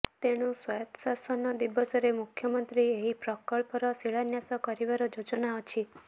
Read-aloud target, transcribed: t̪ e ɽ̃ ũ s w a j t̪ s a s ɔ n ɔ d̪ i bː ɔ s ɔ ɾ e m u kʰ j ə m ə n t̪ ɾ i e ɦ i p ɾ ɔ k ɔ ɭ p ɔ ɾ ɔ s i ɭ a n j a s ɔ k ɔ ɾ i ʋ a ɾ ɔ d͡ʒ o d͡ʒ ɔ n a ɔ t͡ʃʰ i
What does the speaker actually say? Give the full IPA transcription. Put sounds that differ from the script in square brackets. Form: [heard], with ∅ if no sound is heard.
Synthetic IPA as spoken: t̪ e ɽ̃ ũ s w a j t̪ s a s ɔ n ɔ d̪ i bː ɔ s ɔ ɾ e m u kʰ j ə m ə n t̪ ɾ i e ɦ i p ɾ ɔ k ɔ ɭ p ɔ ɾ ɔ s i ɭ a n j a s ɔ k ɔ ɾ i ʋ a ɾ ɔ d͡ʒ o d͡ʒ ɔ n a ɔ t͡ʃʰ i